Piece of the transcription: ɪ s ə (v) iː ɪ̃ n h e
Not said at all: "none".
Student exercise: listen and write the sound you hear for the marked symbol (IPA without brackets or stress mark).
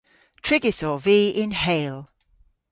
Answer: v